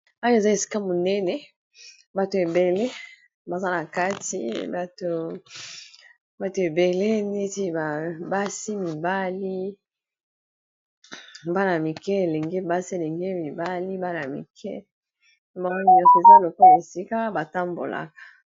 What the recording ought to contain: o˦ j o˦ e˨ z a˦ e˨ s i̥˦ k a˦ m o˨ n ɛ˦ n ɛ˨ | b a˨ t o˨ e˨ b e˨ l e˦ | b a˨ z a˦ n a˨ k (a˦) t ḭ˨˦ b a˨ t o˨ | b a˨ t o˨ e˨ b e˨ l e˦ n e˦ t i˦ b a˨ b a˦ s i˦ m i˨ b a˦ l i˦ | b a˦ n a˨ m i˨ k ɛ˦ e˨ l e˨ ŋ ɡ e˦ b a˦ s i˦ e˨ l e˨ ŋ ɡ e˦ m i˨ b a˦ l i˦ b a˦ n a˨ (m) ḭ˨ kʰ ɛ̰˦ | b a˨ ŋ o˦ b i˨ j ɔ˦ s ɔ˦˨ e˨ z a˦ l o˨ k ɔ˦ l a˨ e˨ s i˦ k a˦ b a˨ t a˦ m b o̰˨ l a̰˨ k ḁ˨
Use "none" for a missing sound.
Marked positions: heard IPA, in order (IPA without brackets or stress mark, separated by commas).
a˦, m